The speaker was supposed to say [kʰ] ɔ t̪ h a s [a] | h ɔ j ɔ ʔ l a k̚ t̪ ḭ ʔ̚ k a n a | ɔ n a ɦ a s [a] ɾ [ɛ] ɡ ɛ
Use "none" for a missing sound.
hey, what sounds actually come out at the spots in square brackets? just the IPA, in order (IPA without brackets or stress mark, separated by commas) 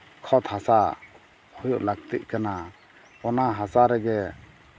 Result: kʰ, a, a, ɛ